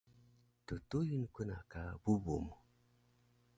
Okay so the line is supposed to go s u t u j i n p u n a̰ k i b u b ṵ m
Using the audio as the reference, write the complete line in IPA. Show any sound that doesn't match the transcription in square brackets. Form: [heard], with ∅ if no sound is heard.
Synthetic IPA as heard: [t] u t u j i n [k] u n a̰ k [a] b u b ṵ m